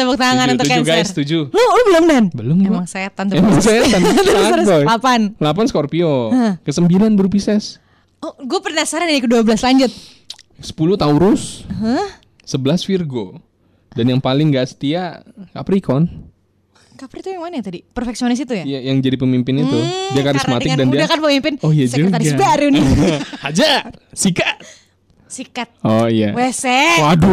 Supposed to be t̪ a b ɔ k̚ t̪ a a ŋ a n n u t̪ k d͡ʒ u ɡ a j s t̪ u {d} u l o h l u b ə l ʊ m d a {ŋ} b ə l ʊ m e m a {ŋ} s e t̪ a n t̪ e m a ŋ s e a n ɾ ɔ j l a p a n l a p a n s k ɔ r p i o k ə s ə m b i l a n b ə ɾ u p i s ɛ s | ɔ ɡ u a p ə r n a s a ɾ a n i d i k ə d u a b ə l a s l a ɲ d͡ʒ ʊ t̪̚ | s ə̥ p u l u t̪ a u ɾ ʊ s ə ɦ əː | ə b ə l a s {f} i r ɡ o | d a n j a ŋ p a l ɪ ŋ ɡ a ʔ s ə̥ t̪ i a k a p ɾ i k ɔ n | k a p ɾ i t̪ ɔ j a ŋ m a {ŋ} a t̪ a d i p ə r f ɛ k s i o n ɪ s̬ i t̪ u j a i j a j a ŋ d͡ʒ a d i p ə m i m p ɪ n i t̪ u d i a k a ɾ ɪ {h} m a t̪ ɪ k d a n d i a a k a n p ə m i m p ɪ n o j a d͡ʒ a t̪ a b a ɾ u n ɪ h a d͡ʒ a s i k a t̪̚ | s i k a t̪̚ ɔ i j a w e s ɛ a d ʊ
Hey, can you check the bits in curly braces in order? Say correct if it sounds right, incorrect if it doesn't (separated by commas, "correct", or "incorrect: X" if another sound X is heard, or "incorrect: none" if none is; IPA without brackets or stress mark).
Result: incorrect: d͡ʒ, incorrect: n, correct, correct, incorrect: n, incorrect: s